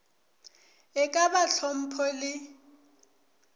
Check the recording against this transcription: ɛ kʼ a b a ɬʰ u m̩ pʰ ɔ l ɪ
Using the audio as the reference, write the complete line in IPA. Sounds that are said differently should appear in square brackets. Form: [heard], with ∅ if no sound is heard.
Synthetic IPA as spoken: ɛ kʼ a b a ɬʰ [ɔ] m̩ pʰ ɔ l ɪ